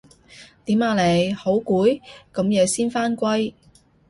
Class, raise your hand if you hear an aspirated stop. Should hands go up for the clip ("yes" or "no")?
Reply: no